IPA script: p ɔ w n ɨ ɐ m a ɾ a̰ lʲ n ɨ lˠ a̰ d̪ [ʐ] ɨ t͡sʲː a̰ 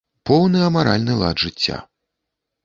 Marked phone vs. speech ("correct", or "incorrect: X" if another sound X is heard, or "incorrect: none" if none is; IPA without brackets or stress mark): correct